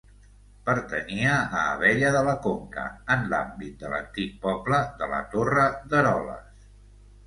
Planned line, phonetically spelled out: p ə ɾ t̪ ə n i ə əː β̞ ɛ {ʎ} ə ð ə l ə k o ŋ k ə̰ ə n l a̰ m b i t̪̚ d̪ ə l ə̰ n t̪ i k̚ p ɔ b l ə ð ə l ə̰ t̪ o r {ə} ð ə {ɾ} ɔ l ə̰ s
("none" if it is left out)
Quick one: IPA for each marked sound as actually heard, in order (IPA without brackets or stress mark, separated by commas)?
ʎ, ə, ɾ